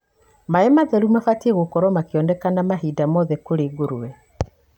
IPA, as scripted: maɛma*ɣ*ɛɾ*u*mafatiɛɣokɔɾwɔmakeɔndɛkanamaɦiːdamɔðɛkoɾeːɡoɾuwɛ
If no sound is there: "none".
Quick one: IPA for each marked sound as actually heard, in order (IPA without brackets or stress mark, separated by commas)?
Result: ð, u